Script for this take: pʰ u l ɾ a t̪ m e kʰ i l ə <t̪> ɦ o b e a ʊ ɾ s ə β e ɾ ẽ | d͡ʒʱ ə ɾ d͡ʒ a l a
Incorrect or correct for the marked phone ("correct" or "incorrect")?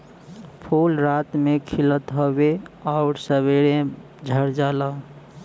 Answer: correct